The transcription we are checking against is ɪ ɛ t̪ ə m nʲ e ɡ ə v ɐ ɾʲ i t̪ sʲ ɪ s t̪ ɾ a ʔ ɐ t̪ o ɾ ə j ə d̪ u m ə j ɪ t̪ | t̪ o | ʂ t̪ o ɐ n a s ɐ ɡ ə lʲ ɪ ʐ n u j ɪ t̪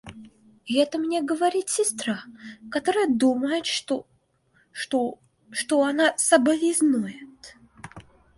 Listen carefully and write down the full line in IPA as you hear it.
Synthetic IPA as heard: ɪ ɛ t̪ ə m nʲ e ɡ ə v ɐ ɾʲ i t̪ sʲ ɪ s t̪ ɾ a k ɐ t̪ o ɾ ə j ə d̪ u m ə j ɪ t̪ | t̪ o | ʂ t̪ o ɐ n a s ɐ b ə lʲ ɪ z n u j ɪ t̪